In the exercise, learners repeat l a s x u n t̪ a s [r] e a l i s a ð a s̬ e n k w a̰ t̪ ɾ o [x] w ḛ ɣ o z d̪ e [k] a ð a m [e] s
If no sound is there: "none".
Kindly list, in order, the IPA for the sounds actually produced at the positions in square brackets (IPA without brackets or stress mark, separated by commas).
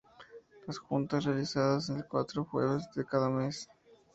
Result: r, x, k, e